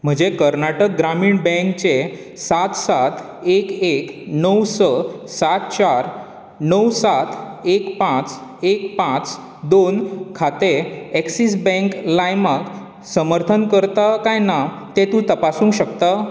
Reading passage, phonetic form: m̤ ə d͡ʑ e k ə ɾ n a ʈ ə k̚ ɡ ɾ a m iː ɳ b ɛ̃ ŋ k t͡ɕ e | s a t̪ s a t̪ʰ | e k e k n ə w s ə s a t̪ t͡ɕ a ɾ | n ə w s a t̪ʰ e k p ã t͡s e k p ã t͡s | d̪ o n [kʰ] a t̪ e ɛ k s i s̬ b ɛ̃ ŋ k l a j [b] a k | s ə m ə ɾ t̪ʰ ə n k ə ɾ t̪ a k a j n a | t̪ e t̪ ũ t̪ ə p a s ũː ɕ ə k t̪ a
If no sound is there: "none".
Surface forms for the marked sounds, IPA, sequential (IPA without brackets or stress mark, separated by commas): kʰ, m